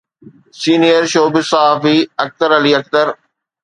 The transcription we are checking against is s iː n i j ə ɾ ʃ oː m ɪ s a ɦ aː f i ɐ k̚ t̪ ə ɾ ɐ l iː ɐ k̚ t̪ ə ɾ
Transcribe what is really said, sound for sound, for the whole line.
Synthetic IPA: s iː n i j ə ɾ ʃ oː b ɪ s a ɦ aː f i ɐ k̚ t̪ ə ɾ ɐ l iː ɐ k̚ t̪ ə ɾ